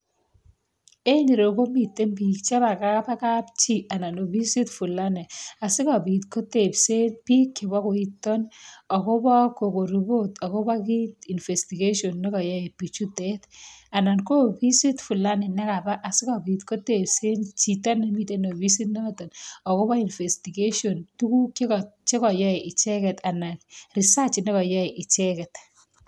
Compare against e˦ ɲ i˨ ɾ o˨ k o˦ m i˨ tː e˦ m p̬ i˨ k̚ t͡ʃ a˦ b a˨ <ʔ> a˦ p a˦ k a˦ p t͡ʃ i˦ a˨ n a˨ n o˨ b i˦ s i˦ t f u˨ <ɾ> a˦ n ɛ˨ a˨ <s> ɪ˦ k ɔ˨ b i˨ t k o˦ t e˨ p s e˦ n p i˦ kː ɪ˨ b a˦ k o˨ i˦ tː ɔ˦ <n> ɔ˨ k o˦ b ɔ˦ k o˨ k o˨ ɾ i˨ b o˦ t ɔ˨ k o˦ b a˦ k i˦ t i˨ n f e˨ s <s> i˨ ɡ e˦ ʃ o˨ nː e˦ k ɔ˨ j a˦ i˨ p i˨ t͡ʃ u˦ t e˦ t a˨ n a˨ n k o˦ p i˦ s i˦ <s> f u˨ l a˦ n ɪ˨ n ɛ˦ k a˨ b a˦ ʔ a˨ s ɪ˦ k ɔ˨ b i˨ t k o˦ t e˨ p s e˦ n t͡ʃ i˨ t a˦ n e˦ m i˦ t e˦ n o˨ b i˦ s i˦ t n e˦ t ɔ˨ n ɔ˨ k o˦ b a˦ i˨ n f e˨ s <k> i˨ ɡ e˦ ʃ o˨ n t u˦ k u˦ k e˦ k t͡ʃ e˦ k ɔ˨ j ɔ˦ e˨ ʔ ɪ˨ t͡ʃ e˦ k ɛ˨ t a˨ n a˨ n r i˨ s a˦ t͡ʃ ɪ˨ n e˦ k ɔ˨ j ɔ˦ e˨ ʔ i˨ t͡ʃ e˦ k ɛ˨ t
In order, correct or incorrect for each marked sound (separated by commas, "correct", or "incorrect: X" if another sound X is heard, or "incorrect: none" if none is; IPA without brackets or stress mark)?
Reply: incorrect: k, incorrect: l, correct, correct, incorrect: t, incorrect: t, incorrect: t